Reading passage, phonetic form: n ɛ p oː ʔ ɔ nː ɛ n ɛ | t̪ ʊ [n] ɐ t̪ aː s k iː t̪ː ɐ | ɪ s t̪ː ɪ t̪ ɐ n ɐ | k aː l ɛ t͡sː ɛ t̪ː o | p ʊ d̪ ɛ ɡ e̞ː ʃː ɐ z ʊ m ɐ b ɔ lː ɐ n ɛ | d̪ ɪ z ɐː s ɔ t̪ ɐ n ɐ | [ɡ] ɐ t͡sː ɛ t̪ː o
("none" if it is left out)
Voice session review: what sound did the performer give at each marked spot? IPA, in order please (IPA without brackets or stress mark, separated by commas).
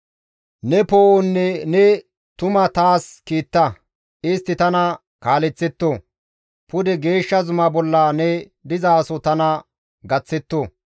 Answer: m, ɡ